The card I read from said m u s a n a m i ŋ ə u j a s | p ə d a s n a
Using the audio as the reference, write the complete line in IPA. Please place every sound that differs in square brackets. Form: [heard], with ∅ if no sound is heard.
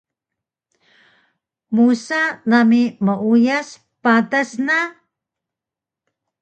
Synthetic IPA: m u s a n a m i [m] ə u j a s | p [a] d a s n a